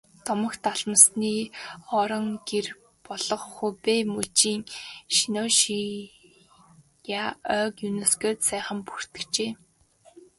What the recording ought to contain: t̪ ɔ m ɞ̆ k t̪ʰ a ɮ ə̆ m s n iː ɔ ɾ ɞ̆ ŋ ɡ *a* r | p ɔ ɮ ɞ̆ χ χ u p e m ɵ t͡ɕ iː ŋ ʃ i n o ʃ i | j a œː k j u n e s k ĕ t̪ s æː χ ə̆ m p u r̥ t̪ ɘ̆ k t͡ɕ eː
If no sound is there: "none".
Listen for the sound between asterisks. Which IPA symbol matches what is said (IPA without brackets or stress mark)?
e